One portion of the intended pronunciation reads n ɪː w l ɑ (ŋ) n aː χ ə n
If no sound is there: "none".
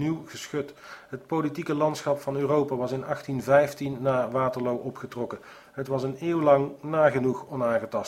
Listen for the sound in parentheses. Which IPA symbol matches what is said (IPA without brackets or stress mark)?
ŋ